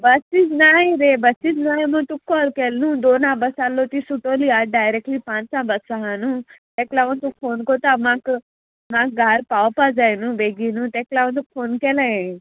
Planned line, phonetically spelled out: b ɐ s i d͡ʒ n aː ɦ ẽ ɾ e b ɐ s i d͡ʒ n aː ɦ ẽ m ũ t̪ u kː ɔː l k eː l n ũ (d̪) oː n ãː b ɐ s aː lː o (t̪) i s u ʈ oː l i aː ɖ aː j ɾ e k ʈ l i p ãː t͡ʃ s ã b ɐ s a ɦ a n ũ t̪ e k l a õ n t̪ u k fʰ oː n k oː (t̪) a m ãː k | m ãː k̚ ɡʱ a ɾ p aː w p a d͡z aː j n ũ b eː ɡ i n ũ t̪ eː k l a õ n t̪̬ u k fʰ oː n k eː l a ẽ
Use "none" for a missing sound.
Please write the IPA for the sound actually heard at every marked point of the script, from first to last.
d̪, t̪, t̪

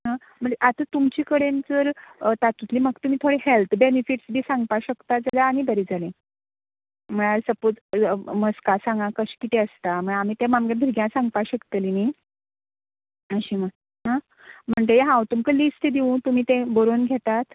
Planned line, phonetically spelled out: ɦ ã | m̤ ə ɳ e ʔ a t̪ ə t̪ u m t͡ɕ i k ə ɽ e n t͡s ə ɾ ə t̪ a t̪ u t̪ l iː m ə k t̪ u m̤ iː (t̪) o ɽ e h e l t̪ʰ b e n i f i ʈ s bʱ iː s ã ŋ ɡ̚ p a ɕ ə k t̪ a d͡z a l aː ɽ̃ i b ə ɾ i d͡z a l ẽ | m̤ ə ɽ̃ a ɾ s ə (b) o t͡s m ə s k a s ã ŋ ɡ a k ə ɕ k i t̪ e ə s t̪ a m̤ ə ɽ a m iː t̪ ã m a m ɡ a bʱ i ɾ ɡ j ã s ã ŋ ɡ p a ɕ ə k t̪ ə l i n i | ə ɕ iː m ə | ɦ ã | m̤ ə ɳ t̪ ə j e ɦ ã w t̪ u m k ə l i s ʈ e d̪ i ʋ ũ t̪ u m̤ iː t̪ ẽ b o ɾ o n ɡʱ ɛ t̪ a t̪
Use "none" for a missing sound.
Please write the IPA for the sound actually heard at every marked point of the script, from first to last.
t̪ʰ, p

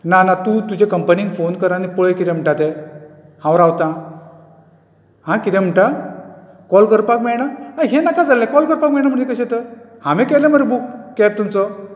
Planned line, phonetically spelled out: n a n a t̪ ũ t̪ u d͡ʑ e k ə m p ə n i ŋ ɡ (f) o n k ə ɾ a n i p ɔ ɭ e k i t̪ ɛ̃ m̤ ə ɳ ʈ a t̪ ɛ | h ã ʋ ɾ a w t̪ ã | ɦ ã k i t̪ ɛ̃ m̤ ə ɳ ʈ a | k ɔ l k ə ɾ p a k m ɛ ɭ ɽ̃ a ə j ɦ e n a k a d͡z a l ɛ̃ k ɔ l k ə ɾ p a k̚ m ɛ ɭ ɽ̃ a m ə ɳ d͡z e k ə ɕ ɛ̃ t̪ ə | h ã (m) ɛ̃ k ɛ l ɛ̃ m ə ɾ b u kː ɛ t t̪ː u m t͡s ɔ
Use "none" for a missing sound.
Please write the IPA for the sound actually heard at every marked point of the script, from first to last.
f, m

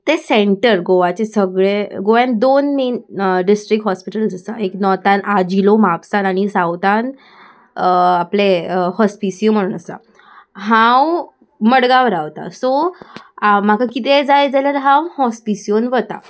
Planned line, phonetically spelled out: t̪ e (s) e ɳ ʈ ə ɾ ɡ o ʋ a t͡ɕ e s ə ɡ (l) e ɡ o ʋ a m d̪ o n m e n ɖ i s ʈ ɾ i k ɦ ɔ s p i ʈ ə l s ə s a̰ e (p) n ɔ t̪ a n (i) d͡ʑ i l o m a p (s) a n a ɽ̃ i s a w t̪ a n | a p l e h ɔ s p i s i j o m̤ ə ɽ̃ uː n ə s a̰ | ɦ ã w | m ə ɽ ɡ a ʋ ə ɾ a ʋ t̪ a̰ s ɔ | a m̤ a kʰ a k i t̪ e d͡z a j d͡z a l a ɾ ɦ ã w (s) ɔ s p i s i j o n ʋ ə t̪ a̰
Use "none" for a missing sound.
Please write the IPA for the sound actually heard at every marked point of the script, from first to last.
s, ɭ, k, a, s, h

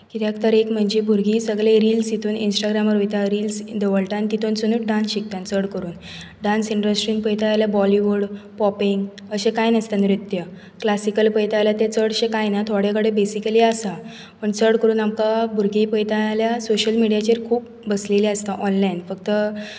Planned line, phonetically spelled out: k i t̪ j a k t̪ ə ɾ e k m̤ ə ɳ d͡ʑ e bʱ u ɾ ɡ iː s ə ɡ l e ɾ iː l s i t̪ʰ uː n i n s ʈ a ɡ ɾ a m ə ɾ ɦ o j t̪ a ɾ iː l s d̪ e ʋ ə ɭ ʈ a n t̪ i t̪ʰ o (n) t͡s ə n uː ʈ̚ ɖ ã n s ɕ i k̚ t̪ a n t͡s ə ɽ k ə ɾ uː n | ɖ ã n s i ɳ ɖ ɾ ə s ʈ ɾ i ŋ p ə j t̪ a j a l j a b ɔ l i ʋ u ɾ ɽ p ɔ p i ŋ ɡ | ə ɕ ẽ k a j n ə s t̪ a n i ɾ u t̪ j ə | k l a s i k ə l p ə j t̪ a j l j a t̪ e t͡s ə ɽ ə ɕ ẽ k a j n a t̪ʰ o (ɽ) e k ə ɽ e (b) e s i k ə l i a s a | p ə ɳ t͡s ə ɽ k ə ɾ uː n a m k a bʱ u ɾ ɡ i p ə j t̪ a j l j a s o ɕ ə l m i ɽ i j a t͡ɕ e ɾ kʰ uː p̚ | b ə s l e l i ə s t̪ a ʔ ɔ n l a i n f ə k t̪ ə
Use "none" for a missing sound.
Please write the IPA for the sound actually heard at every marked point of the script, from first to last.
n, ɽ, b

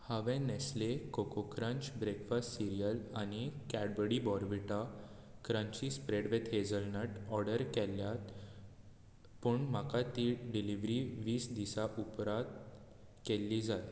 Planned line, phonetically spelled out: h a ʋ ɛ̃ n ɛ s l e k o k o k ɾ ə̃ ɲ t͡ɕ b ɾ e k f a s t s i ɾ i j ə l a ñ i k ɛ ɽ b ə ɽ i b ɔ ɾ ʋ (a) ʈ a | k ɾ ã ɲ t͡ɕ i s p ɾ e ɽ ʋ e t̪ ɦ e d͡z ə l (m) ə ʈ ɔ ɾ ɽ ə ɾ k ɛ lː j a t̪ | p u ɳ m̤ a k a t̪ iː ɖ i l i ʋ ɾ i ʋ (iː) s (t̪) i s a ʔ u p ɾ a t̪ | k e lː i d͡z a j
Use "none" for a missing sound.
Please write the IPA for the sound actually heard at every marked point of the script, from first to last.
i, n, iː, d̪

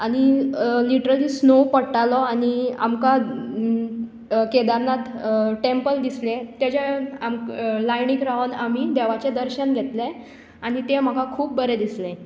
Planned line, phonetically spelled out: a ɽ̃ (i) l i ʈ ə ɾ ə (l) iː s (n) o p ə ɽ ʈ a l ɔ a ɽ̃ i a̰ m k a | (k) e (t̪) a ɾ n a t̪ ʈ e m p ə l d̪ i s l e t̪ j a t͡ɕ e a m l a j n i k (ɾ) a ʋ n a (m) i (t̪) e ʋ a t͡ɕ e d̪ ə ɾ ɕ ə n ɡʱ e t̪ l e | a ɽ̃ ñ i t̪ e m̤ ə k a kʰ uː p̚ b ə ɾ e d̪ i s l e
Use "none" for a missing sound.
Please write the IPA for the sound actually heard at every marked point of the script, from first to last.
i, l, n, k, d̪, ɾ, m, d̪

